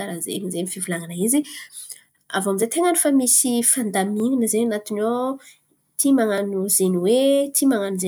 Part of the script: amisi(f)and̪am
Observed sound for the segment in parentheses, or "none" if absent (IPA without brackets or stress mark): f